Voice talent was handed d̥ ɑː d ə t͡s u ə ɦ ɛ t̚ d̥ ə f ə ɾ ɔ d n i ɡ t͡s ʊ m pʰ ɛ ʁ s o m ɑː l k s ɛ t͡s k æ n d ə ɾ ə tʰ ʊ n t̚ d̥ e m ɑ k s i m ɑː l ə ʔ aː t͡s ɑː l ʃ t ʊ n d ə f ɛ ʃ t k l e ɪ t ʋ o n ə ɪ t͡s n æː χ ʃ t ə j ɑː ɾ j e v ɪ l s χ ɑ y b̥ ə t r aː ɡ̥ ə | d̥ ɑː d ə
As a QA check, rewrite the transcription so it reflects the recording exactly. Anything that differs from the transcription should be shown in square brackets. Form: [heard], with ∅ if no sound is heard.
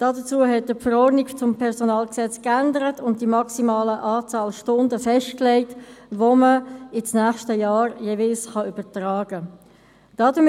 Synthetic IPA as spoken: d̥ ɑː d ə t͡s u ə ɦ ɛ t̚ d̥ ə f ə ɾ ɔ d n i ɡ t͡s ʊ m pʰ ɛ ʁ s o [n] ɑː l k s ɛ t͡s k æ n d ə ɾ ə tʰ ʊ n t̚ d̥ [i] m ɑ k s i m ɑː l ə ʔ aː t͡s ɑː l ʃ t ʊ n d ə f ɛ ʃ t k l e ɪ t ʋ o [m] ə ɪ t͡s n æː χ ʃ t ə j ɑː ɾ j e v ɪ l s χ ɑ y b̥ ə t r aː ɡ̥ ə | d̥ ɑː d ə